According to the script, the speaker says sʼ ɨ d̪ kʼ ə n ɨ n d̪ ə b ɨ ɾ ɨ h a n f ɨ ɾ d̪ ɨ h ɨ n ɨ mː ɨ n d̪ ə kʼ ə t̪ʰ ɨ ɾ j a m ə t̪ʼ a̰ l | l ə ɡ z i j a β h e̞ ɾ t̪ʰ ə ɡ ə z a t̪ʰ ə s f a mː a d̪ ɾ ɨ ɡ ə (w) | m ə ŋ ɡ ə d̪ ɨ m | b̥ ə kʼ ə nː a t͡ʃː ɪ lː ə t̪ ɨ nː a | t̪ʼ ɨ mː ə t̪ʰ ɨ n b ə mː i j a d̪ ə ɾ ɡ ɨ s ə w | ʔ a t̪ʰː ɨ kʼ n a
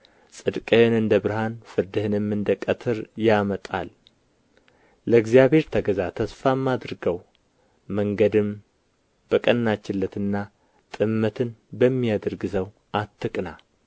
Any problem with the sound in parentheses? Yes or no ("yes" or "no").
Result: no